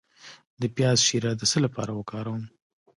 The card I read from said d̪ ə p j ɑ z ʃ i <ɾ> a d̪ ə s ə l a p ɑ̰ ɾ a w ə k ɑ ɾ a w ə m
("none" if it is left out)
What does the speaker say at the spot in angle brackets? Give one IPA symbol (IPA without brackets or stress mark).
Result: ɾ